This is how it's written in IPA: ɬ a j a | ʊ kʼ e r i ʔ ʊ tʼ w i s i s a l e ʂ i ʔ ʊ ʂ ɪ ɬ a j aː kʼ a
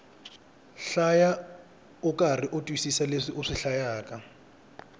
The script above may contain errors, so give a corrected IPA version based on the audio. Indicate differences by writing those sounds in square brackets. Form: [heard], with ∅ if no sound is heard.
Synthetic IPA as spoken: ɬ a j a | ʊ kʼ [a] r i ʔ ʊ tʼ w i s i s a l e ʂ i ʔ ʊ ʂ ɪ ɬ a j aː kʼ a